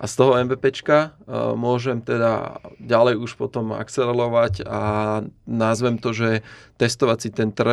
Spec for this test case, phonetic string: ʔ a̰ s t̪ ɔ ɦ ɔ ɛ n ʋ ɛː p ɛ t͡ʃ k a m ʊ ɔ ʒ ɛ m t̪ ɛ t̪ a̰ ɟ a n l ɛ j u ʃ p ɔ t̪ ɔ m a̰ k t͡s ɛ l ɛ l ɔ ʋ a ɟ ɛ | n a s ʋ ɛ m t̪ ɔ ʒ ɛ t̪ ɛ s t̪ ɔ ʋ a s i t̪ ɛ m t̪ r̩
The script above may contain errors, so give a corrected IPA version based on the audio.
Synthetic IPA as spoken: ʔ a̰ s t̪ ɔ ɦ ɔ ɛ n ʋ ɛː p ɛ t͡ʃ k a m ʊ ɔ ʒ ɛ m t̪ ɛ d̪ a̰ ɟ a l ɛ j u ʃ p ɔ t̪ ɔ m a̰ k t͡s ɛ l ɛ l ɔ ʋ a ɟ a | n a z ʋ ɛ m t̪ ɔ ʒ ɛ t̪ ɛ s t̪ ɔ ʋ a t͡s i t̪ ɛ n t̪ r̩